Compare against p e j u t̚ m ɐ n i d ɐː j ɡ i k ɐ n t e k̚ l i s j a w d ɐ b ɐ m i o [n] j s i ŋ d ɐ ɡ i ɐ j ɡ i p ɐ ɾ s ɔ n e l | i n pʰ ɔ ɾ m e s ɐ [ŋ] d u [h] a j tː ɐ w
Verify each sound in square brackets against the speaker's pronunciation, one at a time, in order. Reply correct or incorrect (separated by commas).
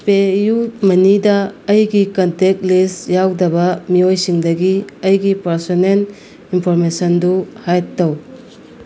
incorrect, incorrect, correct